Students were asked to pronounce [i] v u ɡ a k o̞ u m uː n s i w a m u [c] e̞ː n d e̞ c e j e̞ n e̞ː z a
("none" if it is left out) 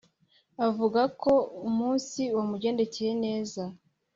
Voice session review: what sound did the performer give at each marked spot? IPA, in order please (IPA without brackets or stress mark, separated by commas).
a, ɟ